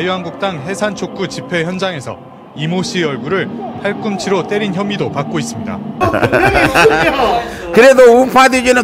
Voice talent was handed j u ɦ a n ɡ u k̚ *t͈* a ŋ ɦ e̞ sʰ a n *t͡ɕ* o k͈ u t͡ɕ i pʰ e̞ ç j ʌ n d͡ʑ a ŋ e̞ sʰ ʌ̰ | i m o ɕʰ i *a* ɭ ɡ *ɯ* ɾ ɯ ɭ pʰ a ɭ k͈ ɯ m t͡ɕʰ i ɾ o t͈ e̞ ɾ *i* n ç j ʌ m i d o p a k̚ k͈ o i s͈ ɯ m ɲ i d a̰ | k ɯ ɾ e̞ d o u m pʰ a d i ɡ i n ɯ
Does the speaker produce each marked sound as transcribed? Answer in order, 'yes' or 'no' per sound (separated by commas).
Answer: yes, no, no, no, yes